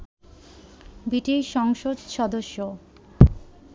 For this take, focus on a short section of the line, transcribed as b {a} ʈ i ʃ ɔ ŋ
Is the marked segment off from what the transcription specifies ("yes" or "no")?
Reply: yes